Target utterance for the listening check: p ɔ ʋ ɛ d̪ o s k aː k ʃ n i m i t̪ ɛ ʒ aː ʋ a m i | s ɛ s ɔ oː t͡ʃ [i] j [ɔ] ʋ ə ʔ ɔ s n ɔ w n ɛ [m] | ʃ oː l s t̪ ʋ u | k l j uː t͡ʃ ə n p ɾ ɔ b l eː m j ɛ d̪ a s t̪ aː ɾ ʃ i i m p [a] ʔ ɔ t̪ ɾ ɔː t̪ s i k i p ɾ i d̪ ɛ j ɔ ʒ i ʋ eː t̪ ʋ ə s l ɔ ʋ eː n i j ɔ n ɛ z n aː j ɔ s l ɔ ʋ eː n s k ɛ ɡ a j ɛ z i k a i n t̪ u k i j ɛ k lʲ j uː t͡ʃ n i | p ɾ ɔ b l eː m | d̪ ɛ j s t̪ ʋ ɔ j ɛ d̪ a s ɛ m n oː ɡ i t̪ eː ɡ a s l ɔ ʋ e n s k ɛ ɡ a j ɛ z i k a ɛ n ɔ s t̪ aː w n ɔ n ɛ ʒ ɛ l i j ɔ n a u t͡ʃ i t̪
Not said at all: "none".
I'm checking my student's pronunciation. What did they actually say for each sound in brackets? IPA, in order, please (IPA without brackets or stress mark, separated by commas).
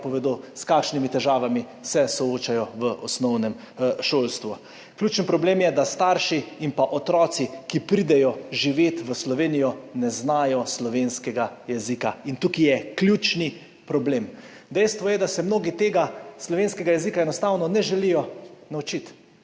a, ɔ, m, a